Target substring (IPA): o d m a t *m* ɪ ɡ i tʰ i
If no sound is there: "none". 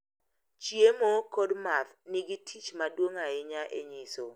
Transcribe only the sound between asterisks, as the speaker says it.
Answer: n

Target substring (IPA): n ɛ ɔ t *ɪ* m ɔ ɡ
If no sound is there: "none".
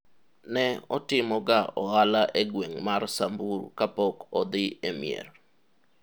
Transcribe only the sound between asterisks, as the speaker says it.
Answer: ɪ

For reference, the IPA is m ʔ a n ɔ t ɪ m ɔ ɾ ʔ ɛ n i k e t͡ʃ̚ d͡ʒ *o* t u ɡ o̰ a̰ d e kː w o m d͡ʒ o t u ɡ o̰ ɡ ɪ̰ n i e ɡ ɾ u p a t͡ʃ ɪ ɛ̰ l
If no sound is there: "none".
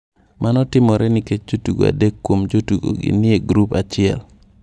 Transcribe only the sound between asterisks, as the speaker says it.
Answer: o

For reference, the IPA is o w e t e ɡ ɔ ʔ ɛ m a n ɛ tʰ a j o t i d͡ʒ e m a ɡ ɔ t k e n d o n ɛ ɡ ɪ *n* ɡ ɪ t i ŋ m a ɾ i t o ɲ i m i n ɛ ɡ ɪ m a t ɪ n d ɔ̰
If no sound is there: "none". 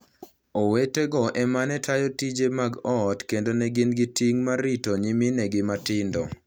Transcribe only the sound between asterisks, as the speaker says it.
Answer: n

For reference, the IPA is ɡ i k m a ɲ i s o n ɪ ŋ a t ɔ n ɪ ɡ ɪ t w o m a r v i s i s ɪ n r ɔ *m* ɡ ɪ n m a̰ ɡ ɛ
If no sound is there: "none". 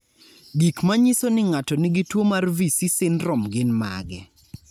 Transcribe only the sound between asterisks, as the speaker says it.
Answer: m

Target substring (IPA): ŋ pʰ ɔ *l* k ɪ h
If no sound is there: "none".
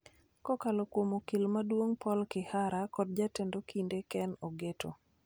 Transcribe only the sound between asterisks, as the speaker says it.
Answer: l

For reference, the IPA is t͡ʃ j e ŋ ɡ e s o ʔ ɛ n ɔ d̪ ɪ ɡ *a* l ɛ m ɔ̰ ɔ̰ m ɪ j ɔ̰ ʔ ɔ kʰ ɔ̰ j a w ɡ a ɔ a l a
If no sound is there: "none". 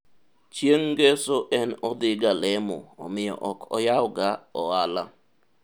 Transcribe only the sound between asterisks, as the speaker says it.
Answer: a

